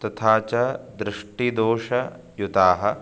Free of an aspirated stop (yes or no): no